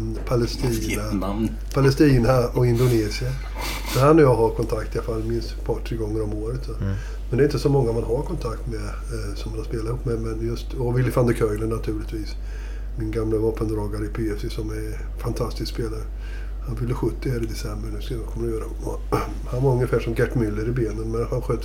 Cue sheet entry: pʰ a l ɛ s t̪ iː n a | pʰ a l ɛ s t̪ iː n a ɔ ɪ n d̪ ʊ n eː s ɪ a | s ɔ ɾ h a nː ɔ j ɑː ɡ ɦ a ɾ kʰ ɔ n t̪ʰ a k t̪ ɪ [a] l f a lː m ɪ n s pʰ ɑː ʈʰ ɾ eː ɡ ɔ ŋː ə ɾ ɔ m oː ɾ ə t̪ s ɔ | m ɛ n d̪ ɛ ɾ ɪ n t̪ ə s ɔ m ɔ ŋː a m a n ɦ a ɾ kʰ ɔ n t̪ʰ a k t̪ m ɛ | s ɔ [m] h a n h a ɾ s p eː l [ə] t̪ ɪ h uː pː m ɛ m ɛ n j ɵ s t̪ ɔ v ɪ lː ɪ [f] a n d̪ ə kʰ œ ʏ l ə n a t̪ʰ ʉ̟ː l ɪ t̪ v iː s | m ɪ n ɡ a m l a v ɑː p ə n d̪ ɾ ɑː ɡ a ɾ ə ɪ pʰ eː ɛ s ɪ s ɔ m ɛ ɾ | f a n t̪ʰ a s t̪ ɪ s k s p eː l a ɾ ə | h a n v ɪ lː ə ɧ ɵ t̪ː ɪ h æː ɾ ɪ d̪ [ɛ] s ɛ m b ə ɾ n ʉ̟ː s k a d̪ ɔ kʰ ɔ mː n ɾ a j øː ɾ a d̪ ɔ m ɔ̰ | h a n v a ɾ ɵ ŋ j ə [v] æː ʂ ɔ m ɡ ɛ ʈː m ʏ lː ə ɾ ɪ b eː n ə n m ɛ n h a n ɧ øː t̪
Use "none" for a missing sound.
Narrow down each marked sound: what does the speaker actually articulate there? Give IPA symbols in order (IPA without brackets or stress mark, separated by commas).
a, m, a, f, ɛ, f